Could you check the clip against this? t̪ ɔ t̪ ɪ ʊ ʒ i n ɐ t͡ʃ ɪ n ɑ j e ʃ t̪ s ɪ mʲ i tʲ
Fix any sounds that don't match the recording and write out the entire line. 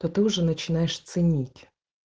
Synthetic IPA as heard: t̪ ɔ t̪ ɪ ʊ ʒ ɛ n ɐ t͡ʃ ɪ n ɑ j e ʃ t̪ s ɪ nʲ i tʲ